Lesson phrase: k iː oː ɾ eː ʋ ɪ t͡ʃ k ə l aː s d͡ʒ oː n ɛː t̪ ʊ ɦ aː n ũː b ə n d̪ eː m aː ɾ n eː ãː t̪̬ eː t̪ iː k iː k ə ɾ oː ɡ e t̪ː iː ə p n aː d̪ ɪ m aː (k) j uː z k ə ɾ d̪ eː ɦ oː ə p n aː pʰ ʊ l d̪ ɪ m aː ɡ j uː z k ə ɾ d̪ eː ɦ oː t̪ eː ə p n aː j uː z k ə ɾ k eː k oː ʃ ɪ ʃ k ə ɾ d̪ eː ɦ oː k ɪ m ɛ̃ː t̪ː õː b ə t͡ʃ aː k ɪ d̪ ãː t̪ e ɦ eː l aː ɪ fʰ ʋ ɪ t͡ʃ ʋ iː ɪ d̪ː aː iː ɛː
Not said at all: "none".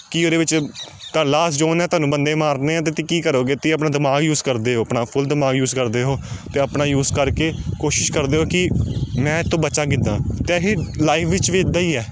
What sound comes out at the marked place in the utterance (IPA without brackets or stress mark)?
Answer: ɡ